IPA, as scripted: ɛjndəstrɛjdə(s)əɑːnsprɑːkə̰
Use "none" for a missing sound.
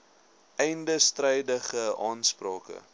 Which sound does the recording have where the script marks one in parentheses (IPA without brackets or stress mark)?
χ